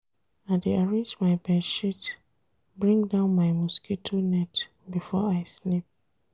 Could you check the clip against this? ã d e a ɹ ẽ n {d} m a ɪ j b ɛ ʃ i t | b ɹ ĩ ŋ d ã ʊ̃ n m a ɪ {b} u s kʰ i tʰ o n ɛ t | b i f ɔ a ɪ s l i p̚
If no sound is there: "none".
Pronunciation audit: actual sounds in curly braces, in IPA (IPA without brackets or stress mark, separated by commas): d͡ʒ, m